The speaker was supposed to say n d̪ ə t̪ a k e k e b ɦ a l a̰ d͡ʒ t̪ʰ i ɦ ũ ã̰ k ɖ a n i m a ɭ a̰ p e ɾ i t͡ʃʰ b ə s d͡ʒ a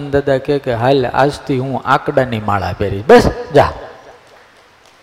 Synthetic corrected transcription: n d̪ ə d̪ a k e k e ɦ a l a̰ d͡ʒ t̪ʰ i ɦ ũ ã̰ k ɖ a n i m a ɭ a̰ p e ɾ i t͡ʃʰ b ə s d͡ʒ a